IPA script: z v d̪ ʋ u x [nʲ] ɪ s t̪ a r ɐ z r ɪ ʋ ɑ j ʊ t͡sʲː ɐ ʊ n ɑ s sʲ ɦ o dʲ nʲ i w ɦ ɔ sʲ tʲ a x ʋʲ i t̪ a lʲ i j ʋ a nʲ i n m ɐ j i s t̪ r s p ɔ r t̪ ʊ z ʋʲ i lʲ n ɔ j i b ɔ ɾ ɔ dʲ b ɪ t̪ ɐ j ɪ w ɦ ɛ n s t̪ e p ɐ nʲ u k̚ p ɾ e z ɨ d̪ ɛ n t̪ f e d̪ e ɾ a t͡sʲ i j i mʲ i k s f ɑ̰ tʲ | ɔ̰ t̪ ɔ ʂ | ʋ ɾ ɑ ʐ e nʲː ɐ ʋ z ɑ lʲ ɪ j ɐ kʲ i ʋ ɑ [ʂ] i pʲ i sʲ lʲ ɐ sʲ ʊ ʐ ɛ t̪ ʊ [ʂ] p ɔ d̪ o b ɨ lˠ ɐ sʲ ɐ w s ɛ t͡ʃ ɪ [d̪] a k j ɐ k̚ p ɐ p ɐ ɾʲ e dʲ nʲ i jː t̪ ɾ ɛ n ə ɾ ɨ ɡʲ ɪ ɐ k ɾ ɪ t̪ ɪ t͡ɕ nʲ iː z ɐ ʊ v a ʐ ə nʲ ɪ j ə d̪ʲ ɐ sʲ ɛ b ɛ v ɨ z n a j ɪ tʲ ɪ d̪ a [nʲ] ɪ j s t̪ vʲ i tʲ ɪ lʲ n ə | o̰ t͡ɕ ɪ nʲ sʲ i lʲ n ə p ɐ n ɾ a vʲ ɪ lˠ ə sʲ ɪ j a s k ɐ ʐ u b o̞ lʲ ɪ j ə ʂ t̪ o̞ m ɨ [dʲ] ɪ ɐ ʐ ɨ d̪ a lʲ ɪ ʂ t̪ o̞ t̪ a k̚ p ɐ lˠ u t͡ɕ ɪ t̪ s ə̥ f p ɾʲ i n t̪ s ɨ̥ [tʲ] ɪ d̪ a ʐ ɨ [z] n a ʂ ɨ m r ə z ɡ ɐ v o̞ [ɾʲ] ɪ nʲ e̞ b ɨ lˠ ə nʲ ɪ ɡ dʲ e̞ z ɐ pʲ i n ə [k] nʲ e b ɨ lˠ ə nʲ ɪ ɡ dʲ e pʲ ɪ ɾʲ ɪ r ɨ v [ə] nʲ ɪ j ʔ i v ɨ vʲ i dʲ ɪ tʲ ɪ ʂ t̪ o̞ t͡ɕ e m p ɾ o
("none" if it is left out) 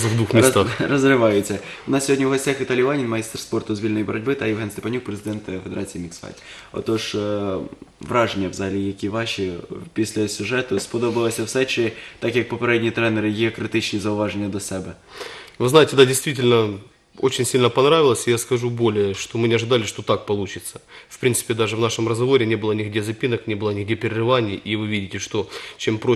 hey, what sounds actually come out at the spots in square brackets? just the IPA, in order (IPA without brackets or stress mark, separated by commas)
mʲ, ʃ, s, t̪, dʲ, nʲ, pʲ, v, ɾʲ, k, a